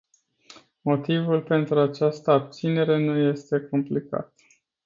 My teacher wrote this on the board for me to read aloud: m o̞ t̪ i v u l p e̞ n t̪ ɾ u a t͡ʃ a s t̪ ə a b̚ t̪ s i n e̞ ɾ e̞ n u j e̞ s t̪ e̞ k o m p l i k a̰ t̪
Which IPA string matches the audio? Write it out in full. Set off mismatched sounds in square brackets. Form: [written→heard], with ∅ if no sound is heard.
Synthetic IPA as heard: m o̞ t̪ i v u l p e̞ n t̪ ɾ u a t͡ʃ a s t̪ ə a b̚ t̪ s i n e̞ ɾ e̞ n u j e̞ s t̪ e̞ k o m p l i k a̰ t̪